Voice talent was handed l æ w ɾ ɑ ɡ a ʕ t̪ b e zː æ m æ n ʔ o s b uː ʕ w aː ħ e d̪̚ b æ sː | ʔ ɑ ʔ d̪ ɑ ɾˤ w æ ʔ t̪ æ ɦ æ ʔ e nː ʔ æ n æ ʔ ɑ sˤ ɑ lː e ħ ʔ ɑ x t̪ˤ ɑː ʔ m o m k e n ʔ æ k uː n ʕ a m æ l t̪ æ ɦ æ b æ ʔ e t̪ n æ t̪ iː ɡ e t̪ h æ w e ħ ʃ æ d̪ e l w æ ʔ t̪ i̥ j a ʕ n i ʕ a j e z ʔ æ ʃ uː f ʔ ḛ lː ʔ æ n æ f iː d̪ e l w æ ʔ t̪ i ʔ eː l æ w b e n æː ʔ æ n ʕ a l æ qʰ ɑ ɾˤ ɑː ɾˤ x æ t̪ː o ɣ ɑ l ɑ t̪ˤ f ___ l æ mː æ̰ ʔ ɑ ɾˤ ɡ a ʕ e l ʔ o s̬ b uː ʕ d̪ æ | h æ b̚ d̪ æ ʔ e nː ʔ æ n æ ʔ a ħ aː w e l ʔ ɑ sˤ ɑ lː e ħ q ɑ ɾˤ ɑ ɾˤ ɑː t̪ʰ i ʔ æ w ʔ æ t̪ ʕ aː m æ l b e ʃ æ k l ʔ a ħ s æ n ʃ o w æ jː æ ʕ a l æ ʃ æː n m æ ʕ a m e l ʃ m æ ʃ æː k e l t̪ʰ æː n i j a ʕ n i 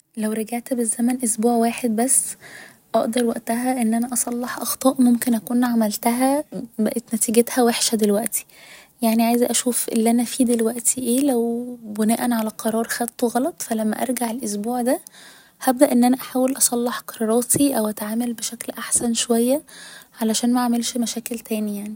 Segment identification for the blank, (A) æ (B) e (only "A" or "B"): A